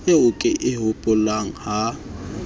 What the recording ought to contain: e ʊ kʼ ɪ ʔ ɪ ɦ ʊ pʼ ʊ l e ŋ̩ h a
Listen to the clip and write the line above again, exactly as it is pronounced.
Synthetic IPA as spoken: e ʊ kʼ ɪ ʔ ɪ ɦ ʊ pʼ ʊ l a ŋ̩ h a